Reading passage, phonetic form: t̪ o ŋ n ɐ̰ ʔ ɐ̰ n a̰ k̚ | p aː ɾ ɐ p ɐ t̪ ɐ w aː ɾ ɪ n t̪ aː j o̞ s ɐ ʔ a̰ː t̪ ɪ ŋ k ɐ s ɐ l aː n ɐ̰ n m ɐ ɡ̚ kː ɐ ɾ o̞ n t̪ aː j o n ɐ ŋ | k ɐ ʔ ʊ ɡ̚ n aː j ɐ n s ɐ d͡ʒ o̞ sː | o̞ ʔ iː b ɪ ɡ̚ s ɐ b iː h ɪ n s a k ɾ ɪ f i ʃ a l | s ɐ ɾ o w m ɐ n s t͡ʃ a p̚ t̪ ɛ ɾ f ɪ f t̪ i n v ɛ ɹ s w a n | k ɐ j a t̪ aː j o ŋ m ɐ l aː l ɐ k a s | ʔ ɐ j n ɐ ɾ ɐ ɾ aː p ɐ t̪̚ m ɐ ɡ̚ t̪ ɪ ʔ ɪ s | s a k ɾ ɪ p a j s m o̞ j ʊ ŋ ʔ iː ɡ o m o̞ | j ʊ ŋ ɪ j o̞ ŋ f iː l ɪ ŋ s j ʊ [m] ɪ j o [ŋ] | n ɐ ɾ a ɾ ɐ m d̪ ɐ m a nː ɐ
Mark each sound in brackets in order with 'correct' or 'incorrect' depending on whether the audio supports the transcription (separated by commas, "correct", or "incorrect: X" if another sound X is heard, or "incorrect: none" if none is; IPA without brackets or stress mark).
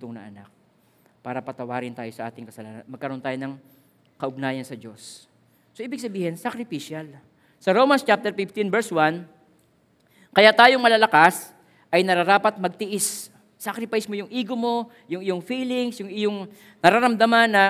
incorrect: ŋ, correct